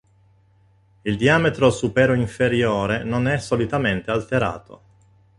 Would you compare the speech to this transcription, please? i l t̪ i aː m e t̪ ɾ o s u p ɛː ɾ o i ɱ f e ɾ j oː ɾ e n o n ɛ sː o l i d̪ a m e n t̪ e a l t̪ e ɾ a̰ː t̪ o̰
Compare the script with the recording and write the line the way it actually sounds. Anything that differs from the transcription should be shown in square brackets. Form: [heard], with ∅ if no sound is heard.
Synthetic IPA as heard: i l [d̪] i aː m e t̪ ɾ o s u p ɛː ɾ o i ɱ f e ɾ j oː ɾ e n o n ɛ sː o l i [t̪] a m e n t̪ e a l t̪ e ɾ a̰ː t̪ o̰